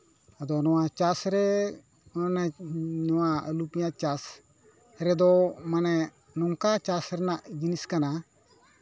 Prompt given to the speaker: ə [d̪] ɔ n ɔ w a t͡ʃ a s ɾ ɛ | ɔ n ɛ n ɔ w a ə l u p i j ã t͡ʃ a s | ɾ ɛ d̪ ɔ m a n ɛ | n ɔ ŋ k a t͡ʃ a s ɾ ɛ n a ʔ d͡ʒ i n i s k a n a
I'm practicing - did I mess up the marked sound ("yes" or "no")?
no